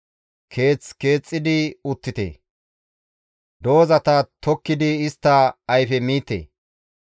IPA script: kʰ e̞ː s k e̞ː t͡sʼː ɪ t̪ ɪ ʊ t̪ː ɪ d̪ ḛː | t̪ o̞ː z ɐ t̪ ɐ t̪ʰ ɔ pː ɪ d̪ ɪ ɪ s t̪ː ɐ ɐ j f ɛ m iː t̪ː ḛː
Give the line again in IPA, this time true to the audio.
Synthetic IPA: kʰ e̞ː t͡s k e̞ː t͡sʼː ɪ d̪ ɪ ʊ t̪ː ɪ t̪ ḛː | d̪ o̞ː z ɐ t̪ ɐ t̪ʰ ɔ kː ɪ d̪ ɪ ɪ s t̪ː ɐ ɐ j f ɛ m iː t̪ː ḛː

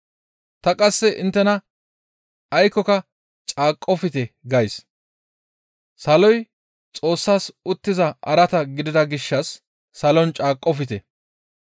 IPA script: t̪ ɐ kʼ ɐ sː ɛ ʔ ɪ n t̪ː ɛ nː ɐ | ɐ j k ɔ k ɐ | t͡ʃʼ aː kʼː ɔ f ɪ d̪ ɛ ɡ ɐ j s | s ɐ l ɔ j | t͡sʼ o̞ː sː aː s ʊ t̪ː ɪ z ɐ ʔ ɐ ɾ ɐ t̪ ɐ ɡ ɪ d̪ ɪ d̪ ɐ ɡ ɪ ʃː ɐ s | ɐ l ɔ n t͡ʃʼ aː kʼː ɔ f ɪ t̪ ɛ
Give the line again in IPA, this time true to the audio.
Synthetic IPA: t̪ ɐ kʼ ɐ sː ɛ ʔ ɪ n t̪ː ɛ n ɐ | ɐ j k ɔ k ɐ | t͡ʃʼ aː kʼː ɔ f ɪ t̪ ɛ ɡ ɐ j s | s ɐ l ɔ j | t͡sʼ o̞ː sː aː s ʊ t̪ː ɪ z ɐ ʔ ɐ ɾ ɐ t̪ ɐ ɡ ɪ d̪ ɪ d̪ ɐ ɡ ɪ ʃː ɐ sː | ɐ l ɔ n t͡ʃʼ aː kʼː ɔ f ɪ t̪ ɛ

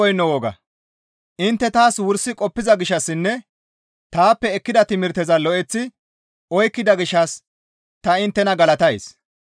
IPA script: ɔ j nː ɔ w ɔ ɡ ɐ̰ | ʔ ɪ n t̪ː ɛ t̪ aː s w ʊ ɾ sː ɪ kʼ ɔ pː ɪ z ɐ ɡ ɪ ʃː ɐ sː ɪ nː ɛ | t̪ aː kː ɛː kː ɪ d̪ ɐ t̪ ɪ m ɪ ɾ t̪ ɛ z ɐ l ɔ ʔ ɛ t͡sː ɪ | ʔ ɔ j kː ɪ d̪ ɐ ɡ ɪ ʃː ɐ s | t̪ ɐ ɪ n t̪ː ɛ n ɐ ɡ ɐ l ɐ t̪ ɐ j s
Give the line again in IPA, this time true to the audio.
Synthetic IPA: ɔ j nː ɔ w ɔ ɡ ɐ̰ | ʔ ɪ n t̪ː ɛ t̪ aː s w ʊ ɾ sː ɪ kʼ ɔ pː ɪ z ɐ ɡ ɪ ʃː ɐ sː ɪ nː ɛ | t̪ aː pː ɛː kː ɪ d̪ ɐ t̪ ɪ m ɪ ɾ t̪ ɛ z ɐ l ɔ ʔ ɛ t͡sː ɪ | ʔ ɔ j kː ɪ d̪ ɐ ɡ ɪ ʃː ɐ s | t̪ ɐ ɪ n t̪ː ɛ n ɐ ɡ ɐ l ɐ t̪ ɐ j s

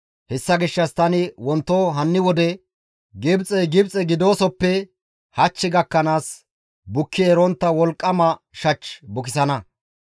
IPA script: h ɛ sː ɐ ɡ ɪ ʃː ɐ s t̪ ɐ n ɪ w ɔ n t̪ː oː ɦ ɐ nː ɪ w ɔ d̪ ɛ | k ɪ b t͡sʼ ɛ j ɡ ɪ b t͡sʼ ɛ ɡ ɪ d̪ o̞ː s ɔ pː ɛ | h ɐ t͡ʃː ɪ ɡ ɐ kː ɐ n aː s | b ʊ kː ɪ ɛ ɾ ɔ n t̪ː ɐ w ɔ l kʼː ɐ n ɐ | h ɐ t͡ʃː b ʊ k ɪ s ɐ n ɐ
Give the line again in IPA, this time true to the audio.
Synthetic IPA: h ɛ sː ɐ ɡ ɪ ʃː ɐ s t̪ ɐ n ɪ w ɔ n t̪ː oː ɦ ɐ nː ɪ w ɔ d̪ ɛ | ɡ ɪ b t͡sʼ ɛ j ɡ ɪ b t͡sʼ ɛ ɡ ɪ d̪ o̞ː s ɔ pː ɛ | h ɐ t͡ʃː ɪ ɡ ɐ kː ɐ n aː s | b ʊ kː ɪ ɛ ɾ ɔ n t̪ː ɐ w ɔ l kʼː ɐ m ɐ | ʃ ɐ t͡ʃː b ʊ k ɪ s ɐ n ɐ

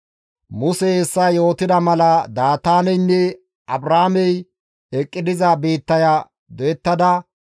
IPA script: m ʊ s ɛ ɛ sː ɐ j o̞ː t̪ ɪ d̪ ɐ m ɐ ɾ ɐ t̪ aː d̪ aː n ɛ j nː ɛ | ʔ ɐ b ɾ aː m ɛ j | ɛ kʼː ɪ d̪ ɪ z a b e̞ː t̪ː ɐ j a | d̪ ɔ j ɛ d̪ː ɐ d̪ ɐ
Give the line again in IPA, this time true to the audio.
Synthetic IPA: m ʊ s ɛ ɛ sː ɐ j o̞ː t̪ ɪ d̪ ɐ m ɐ l ɐ d̪ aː t̪ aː n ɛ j nː ɛ | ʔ ɐ b ɾ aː m ɛ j | ɛ kʼː ɪ d̪ ɪ z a b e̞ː t̪ː ɐ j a | d̪ ɔ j ɛ t̪ː ɐ d̪ ɐ

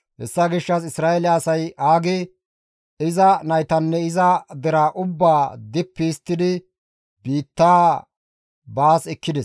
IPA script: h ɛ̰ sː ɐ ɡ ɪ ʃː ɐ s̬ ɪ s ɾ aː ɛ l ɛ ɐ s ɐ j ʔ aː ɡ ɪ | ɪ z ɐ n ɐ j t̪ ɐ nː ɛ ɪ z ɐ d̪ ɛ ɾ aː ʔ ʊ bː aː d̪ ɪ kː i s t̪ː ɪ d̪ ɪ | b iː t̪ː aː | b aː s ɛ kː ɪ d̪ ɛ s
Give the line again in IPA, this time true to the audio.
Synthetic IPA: h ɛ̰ sː ɐ ɡ ɪ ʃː ɐ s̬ ɪ s ɾ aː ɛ l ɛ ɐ s ɐ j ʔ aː ɡ ɪ | ɪ z ɐ n ɐ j t̪ ɐ nː ɛ ɪ z ɐ d̪ ɛ ɾ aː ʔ ʊ bː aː d̪ ɪ pː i s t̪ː ɪ d̪ ɪ | b iː t̪ː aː | b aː s ɛ kː ɪ d̪ ɛ s

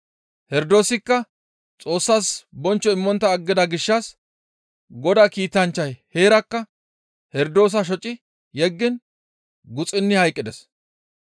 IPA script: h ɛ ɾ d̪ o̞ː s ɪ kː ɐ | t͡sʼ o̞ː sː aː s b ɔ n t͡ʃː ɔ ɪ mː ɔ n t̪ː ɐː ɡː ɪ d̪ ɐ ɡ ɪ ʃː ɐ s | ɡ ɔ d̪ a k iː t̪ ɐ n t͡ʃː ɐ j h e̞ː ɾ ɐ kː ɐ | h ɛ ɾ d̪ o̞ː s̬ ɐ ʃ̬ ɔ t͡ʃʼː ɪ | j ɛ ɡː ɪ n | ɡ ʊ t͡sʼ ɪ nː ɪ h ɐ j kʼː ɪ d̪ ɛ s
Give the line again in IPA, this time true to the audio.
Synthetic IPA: h ɛ ɾ d̪ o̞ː s ɪ kː ɐ | t͡sʼ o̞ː sː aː s b ɔ n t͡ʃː ɔ ɪ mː ɔ n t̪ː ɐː ɡː ɪ d̪ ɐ ɡ ɪ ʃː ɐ s | ɡ ɔ d̪ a k iː t̪ ɐ n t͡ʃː ɐ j h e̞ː ɾ ɐ kː ɐ | h ɛ ɾ d̪ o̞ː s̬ ɐ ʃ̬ ɔ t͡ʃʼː ɪ | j ɛ ɡː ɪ n | ɡ ʊ t͡sʼ ɪ nː ɪ h ɐ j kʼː ɪ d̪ ɛ s

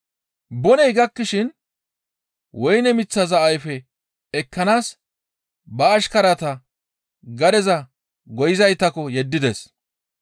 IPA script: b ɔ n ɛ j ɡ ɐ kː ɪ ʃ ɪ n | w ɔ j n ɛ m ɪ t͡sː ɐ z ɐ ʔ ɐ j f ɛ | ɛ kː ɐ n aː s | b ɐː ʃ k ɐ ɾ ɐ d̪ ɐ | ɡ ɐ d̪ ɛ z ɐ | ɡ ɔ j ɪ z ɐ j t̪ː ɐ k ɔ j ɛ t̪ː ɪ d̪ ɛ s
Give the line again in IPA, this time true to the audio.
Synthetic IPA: b ɔ n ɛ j ɡ ɐ kː ɪ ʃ ɪ n | w ɔ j n ɛ m ɪ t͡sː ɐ z ɐ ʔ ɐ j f ɛ | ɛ kː ɐ n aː s | b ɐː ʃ k ɐ ɾ ɐ t̪ ɐ | ɡ ɐ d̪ ɛ z ɐ | ɡ ɔ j ɪ z ɐ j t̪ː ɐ k ɔ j ɛ d̪ː ɪ d̪ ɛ s

